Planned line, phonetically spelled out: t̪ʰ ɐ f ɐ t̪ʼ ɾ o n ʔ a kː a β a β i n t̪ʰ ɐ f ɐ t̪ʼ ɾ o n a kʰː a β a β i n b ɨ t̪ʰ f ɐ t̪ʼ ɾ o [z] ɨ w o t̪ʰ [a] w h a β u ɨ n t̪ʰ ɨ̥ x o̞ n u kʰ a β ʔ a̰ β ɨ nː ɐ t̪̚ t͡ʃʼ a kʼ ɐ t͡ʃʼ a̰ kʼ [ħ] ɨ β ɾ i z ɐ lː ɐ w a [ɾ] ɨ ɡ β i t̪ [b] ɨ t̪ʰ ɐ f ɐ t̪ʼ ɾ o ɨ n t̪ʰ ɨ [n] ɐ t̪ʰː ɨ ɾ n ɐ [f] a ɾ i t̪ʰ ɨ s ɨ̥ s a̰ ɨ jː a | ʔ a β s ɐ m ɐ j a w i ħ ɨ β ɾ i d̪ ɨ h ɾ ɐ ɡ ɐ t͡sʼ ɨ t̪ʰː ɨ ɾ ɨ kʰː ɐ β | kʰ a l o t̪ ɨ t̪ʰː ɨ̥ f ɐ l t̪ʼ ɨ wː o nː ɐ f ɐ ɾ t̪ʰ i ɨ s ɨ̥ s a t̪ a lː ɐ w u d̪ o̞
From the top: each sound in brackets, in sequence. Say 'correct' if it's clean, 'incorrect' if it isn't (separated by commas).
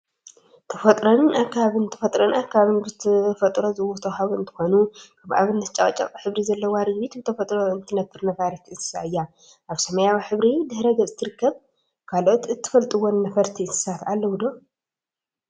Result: correct, incorrect, correct, correct, correct, correct, correct